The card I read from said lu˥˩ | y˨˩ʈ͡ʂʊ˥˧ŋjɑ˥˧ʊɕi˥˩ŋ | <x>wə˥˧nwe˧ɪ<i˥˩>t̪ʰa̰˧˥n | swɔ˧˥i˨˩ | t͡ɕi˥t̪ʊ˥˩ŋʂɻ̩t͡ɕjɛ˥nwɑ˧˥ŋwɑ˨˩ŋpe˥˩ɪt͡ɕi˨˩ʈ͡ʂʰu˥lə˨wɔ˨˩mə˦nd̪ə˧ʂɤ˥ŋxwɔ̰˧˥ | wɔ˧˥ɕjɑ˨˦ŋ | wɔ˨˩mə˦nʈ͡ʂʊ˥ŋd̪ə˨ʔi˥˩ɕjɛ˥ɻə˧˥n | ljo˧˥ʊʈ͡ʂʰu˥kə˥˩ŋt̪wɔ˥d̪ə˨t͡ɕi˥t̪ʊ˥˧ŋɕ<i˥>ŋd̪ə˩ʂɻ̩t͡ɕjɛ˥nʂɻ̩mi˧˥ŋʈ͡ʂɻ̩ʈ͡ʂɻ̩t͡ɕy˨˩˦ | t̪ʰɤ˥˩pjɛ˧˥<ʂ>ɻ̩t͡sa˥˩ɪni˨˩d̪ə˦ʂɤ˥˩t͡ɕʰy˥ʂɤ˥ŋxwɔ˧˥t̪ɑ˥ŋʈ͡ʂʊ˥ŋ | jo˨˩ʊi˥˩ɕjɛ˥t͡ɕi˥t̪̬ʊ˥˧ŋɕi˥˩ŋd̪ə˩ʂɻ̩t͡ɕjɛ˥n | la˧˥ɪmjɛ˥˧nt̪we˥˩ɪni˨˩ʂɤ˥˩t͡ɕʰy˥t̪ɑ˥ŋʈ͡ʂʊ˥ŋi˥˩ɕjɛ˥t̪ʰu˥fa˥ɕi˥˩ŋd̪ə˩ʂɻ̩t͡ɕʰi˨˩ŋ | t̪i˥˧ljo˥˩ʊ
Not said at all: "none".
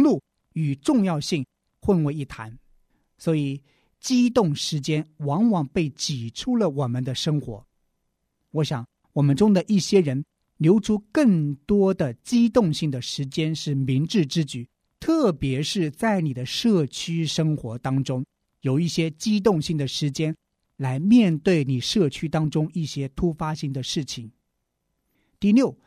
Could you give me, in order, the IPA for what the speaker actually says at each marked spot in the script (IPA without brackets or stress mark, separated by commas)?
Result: x, i˥˩, i˥˩, ʂ